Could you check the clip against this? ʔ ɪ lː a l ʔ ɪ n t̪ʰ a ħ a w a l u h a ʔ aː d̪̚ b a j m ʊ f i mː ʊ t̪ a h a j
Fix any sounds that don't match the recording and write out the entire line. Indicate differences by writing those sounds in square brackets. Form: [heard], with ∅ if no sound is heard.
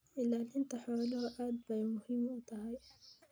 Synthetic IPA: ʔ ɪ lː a l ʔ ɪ n [t̪] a ħ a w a l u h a ʔ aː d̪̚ b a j m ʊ [h] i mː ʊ t̪ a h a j